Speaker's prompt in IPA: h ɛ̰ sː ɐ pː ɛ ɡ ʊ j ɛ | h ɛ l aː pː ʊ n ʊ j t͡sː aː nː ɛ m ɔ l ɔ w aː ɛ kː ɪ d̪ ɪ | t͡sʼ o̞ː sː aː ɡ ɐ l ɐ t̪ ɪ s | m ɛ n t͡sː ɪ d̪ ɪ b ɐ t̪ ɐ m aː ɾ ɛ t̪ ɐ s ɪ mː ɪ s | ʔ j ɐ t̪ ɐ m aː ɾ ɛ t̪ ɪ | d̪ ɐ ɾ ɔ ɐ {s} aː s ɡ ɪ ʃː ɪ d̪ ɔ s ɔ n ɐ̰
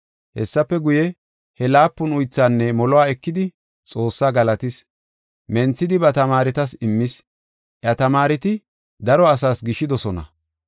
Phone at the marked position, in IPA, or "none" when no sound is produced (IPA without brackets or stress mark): s